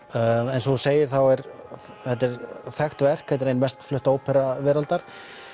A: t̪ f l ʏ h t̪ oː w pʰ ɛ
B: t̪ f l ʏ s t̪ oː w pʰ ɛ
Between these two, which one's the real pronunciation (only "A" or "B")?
A